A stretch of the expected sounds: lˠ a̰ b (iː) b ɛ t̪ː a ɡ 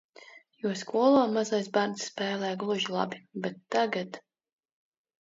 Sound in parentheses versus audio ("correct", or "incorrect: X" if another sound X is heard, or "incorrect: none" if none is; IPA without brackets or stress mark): incorrect: i